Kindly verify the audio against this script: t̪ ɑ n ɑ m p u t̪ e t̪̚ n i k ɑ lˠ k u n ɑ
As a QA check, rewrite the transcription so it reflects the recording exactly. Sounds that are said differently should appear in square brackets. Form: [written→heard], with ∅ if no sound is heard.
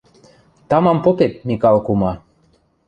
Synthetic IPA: t̪ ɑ [n→m] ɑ m p [u→o] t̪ e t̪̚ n i k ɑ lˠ k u [n→m] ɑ